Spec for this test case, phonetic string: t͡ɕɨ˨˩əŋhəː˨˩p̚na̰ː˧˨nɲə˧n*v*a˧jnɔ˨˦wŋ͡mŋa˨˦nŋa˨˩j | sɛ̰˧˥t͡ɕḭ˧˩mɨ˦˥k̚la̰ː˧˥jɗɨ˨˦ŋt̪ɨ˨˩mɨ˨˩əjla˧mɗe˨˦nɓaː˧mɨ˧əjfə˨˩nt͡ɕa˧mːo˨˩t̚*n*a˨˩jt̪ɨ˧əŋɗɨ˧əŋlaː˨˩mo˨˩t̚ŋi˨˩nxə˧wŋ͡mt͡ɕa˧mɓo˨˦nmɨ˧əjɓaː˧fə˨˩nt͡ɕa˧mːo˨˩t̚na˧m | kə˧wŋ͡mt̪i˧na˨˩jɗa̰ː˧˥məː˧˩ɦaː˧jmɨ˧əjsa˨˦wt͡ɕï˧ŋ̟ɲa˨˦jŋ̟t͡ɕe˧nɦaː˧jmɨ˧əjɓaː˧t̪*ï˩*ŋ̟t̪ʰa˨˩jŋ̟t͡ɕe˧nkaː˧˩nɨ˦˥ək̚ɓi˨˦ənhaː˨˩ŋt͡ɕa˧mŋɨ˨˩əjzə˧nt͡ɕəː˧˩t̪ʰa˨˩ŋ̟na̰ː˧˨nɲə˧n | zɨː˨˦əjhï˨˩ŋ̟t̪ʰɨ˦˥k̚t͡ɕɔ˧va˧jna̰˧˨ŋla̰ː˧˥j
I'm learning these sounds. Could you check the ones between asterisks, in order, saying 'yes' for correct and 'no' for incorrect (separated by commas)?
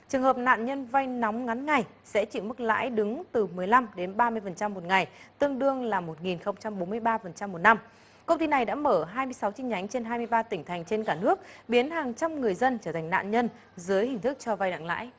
yes, no, yes